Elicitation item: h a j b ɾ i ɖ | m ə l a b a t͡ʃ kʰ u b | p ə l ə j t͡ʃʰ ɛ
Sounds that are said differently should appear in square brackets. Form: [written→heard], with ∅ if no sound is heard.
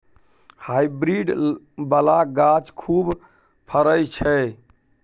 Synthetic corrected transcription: h a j b ɾ i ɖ | [m→b] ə l a [b→ɡ] a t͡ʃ kʰ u b | [p→pʰ] ə [l→ɾ] ə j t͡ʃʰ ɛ